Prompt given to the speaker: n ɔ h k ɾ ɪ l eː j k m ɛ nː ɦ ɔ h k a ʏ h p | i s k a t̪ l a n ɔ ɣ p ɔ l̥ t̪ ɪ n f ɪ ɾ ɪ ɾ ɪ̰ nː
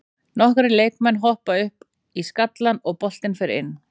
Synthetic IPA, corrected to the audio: n ɔ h k ɾ ɪ l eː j k m ɛ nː ɦ ɔ h p a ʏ h p | i s k a t̪ l a n ɔ ɣ p ɔ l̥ t̪ ɪ n f ɪ ɾ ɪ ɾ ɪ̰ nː